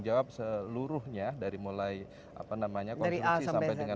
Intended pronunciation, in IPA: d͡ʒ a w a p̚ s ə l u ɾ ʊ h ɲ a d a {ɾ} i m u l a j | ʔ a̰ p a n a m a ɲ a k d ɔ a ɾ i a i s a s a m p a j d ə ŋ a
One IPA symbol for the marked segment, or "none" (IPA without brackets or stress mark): ɾ